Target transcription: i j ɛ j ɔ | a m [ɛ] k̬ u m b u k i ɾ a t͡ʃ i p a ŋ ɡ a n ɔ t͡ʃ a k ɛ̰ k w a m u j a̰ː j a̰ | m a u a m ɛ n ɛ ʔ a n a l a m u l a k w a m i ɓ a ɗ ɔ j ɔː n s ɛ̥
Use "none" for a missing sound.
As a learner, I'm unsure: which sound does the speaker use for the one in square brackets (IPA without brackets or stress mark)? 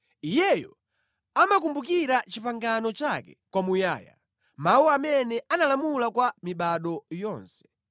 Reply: a